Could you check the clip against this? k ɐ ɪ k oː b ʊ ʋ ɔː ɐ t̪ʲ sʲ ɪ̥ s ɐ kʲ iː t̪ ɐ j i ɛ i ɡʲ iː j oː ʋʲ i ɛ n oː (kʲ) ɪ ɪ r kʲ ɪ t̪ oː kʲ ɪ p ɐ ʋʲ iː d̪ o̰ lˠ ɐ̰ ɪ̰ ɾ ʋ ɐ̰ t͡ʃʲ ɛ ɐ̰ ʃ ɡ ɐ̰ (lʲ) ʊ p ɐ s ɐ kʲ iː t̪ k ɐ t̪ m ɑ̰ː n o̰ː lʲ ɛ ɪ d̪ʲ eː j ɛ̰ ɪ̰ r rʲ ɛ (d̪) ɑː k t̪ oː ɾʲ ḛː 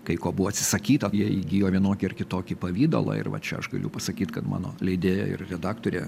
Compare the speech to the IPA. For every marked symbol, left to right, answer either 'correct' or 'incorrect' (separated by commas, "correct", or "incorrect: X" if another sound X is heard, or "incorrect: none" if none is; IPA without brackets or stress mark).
correct, correct, correct